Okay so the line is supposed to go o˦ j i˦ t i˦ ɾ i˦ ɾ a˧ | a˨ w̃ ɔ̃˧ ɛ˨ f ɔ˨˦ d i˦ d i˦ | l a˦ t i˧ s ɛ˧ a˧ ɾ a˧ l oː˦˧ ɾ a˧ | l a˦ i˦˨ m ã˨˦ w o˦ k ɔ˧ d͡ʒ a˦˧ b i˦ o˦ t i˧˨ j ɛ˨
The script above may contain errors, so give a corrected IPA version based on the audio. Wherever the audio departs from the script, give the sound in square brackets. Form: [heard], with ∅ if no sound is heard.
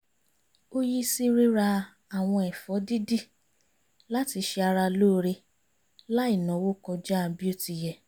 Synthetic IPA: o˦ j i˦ [s] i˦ ɾ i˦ ɾ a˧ | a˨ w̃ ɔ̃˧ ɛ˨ f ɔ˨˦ d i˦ d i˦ | l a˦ t i˧ [ʃ] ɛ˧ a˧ ɾ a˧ l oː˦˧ ɾ [e˧] | l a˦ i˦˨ [n] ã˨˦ w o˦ k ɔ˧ d͡ʒ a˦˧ b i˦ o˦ t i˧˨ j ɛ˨